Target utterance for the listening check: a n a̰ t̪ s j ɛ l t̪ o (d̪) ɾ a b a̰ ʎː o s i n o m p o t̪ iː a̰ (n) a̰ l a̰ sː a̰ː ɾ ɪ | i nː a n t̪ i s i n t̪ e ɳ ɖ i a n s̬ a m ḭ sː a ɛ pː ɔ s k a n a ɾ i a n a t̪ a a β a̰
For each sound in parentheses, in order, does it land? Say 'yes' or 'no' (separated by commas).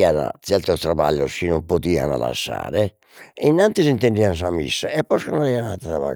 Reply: no, yes